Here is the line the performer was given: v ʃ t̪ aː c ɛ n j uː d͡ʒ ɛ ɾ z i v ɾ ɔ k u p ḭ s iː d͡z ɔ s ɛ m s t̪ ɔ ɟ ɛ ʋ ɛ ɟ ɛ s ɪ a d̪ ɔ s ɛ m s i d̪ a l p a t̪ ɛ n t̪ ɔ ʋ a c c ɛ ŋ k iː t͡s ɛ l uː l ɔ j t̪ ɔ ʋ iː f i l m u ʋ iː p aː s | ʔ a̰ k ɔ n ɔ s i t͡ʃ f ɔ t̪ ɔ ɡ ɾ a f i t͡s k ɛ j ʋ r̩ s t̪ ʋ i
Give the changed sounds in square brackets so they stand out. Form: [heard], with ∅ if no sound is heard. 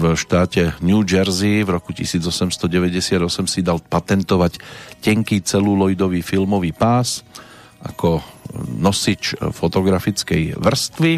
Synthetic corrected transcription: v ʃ t̪ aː c ɛ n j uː d͡ʒ ɛ ɾ z i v ɾ ɔ k u [c] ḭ s iː d͡z ɔ s ɛ m s t̪ ɔ ɟ ɛ ʋ ɛ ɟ ɛ s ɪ a d̪ ɔ s ɛ m s i d̪ a l p a t̪ ɛ n t̪ ɔ ʋ a c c ɛ ŋ k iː t͡s ɛ l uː l ɔ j [d̪] ɔ ʋ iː f i l m [ɔ] ʋ iː p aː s | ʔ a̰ k ɔ n ɔ s i t͡ʃ f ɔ t̪ ɔ ɡ ɾ a f i t͡s k ɛ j ʋ r̩ s t̪ ʋ i